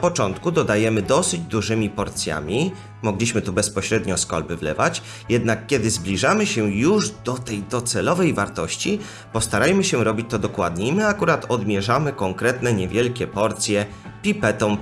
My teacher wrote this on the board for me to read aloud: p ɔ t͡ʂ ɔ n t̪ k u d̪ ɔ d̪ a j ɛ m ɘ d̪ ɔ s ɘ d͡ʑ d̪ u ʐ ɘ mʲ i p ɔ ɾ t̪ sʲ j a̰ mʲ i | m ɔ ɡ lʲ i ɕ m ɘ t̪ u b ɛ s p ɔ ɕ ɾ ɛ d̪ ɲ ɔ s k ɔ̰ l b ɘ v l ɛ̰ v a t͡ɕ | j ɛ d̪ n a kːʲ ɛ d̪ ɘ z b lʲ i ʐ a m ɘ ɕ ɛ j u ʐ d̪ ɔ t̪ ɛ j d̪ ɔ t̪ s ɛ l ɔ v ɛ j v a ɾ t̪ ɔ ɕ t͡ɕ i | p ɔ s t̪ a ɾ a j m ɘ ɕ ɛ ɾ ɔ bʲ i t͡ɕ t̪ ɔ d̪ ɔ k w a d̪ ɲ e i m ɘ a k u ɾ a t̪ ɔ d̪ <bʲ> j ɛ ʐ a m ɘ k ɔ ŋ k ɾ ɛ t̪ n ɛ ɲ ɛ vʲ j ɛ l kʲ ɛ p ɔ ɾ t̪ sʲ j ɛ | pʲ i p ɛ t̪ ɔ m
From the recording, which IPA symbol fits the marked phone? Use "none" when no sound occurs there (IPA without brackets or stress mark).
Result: mʲ